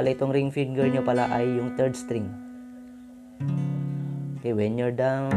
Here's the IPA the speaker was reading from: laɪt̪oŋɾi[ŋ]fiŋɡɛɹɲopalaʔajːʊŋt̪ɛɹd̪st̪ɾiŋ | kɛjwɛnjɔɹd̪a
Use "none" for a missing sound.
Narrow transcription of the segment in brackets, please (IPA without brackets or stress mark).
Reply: ŋ